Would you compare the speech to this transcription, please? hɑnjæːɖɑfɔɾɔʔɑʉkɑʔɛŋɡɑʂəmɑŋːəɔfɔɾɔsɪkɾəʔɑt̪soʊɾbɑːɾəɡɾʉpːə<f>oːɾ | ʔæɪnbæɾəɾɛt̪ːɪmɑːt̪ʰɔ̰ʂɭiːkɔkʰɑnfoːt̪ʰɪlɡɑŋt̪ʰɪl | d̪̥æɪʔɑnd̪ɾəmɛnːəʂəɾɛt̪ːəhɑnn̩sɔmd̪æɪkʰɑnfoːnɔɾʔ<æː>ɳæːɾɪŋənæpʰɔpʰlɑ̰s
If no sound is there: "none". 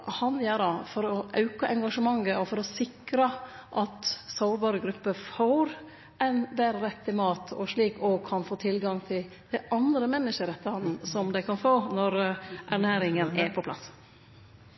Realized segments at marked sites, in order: f, æ

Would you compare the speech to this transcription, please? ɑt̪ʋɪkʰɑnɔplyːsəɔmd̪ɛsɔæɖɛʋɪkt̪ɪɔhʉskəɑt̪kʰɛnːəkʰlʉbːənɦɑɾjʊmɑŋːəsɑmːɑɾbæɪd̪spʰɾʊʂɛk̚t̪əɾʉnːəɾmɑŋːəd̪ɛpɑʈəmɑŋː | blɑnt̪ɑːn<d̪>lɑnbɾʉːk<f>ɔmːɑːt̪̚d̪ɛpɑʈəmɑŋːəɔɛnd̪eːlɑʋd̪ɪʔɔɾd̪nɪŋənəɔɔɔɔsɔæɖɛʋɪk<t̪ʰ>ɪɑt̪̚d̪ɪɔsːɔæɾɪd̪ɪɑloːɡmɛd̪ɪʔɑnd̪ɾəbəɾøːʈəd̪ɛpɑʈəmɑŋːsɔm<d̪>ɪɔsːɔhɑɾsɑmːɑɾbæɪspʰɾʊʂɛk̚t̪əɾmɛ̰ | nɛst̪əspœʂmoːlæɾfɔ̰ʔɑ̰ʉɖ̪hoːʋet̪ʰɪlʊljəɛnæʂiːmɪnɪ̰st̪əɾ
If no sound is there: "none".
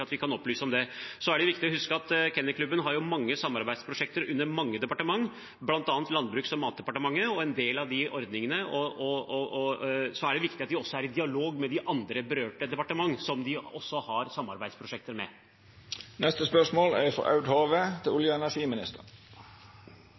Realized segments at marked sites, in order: t̪, s, t̪, d̪

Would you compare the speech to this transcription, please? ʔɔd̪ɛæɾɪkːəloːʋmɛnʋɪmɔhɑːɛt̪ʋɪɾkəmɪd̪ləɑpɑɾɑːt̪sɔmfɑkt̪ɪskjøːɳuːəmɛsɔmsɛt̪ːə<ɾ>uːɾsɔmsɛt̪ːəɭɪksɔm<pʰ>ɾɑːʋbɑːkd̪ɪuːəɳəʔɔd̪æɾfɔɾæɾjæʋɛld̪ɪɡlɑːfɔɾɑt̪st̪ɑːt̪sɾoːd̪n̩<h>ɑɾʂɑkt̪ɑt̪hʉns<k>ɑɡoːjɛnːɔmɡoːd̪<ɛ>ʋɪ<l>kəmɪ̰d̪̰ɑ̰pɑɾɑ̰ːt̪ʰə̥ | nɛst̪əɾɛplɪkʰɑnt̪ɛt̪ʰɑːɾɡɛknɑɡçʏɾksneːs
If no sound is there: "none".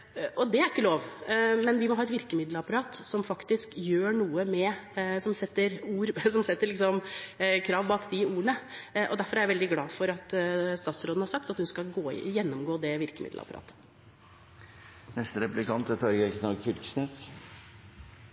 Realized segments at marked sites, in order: ɾ, kʰ, h, k, ɛ, ɾ

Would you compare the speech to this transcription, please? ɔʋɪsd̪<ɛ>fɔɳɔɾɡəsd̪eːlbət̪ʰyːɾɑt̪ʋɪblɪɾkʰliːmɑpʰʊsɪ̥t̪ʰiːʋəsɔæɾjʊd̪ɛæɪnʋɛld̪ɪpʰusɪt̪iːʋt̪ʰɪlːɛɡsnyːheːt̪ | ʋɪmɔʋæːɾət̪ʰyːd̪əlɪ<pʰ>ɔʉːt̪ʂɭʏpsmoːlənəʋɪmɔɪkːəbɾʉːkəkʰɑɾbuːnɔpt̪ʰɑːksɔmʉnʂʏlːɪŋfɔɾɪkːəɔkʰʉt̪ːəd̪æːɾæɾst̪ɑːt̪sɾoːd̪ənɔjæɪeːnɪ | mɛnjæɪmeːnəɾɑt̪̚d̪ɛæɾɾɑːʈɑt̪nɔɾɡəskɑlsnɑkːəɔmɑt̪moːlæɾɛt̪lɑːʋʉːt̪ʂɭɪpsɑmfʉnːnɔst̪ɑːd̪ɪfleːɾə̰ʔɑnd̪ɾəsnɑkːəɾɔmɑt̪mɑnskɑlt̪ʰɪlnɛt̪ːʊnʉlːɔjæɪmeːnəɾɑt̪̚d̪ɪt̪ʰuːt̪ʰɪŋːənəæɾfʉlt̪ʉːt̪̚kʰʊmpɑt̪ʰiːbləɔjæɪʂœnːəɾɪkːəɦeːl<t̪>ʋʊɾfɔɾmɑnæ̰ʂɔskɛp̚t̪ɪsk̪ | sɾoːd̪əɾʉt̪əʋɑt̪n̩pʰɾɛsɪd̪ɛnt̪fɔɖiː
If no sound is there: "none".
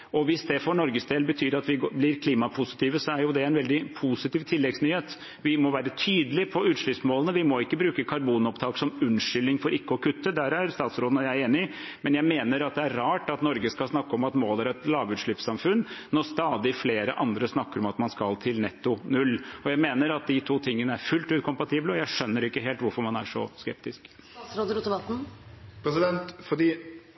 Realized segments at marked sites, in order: ɛ, pʰ, t̪

